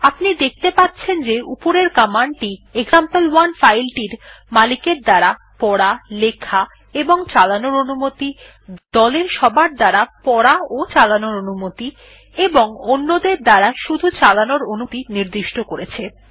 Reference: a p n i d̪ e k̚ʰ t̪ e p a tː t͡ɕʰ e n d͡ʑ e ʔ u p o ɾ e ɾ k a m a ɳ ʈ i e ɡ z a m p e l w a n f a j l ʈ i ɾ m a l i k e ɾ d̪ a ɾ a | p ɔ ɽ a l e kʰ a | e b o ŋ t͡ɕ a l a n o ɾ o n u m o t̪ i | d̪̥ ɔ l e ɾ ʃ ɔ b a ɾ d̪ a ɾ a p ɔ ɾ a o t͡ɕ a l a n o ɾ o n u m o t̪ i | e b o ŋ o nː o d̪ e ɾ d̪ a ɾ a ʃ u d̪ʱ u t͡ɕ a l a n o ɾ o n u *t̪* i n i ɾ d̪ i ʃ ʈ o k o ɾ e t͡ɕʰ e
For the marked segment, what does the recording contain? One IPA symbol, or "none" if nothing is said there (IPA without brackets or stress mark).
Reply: t̪